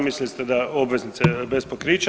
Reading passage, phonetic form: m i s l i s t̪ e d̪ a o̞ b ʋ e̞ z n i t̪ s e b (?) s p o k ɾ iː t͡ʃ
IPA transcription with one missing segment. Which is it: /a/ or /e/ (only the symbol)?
e